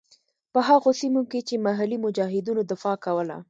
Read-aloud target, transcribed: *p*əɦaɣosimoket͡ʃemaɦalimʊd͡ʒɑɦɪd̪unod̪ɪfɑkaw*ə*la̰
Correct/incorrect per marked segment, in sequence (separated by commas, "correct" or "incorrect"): correct, correct